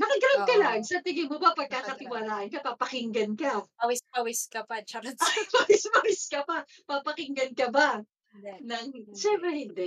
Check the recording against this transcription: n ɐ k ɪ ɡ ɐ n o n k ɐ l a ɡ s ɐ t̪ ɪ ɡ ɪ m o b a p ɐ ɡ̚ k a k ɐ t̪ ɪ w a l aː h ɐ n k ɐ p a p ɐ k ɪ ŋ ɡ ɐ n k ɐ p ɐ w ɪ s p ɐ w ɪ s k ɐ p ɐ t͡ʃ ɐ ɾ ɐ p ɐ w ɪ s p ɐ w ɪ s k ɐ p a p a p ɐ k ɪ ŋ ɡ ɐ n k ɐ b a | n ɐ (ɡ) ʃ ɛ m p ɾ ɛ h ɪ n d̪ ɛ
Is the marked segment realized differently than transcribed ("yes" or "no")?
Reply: yes